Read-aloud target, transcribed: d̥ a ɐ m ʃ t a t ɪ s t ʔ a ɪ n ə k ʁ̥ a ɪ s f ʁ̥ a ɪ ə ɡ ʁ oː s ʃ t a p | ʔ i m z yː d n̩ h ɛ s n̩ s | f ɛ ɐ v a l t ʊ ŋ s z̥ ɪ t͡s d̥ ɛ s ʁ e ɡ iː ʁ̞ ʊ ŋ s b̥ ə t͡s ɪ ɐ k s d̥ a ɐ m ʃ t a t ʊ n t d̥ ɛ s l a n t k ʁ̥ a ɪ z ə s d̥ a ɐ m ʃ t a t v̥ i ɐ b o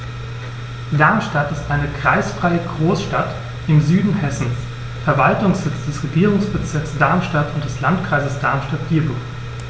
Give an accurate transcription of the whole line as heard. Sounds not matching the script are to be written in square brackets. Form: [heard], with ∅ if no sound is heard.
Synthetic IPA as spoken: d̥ a ɐ m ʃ t a t ɪ s t ʔ a ɪ n ə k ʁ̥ a ɪ s f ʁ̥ a ɪ ə ɡ ʁ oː s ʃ t a [t] | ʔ [ɪ] m z yː d n̩ h ɛ s n̩ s | f ɛ ɐ v a l t ʊ ŋ s z̥ ɪ t͡s d̥ ɛ s ʁ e ɡ iː ʁ̞ ʊ ŋ s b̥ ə t͡s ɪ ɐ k s d̥ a ɐ m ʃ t a t ʊ n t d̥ ɛ s l a n t k ʁ̥ a ɪ z ə s d̥ a ɐ m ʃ t a t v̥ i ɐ b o